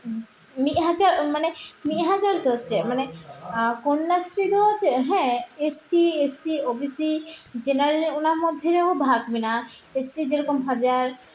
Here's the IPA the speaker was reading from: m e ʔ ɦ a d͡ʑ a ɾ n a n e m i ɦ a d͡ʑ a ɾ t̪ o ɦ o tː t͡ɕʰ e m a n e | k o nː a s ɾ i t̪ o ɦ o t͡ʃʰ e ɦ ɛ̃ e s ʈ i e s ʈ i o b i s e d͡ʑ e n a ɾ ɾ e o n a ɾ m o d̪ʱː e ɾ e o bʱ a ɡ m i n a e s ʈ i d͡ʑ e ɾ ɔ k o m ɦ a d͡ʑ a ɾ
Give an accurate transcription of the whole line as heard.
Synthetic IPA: m i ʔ ɦ a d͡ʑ a ɾ m a n e m i ɦ a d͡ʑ a ɾ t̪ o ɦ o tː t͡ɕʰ e m a n e | k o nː a s ɾ i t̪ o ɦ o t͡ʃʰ e ɦ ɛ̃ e s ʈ i e s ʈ i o b i s i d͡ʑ e n a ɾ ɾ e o n a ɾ m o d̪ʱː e ɾ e o bʱ a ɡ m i n a e s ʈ i d͡ʑ e ɾ ɔ k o m ɦ a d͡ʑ a ɾ